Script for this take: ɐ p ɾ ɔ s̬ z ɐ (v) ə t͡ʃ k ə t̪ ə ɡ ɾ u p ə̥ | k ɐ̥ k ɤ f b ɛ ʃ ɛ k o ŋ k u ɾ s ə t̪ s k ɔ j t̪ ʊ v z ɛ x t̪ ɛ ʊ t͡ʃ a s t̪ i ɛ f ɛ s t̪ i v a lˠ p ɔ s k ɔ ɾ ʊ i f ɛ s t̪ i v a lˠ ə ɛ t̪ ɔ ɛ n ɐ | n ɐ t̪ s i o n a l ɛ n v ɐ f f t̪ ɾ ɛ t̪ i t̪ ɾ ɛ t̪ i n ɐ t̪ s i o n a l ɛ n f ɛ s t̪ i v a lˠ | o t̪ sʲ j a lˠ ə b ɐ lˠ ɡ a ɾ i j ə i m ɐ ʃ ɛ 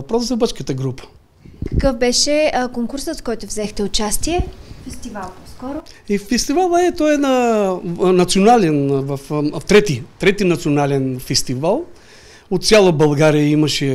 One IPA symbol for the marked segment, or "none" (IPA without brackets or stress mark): b